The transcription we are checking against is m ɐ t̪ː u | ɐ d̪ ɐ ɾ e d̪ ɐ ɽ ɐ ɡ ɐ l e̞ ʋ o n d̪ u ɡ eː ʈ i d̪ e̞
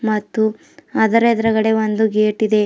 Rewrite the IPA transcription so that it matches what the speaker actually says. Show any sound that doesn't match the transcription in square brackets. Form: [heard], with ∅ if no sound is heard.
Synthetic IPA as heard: m ɐ t̪ː u | ɐ d̪ ɐ ɾ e d̪ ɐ [ɾ] ɐ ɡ ɐ [ɽ] e̞ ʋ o n d̪ u ɡ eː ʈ i d̪ e̞